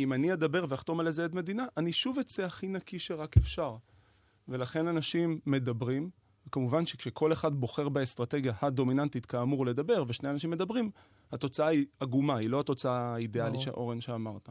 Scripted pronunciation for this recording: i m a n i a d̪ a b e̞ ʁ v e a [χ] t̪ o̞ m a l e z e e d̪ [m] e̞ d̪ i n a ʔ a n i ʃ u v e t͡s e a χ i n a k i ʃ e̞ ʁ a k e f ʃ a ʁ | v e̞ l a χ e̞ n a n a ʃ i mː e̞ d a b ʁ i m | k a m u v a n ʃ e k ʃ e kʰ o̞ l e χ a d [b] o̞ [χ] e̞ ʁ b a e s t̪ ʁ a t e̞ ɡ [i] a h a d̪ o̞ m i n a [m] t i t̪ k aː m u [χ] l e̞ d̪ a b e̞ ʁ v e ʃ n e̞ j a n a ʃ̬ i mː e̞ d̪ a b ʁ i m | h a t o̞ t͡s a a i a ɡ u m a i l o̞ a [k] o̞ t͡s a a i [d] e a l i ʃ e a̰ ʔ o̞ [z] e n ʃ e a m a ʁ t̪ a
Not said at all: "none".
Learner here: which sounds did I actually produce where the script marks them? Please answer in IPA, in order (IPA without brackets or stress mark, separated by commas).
χ, m, b, χ, j, n, ʁ, t, d, ʁ